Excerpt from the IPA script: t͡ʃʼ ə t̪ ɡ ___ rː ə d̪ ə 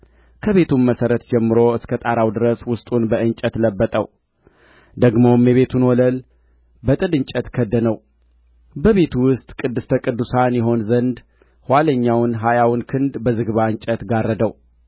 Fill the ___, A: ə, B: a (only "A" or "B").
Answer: B